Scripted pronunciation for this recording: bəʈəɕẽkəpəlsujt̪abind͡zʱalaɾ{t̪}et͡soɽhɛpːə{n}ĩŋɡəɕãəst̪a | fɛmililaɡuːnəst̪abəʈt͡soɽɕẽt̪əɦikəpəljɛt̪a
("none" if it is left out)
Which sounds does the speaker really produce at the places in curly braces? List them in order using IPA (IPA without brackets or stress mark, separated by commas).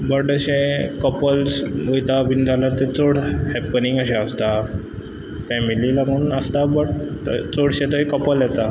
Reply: t̪, n